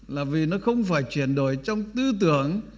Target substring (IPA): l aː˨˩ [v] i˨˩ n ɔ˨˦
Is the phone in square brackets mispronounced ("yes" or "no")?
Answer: no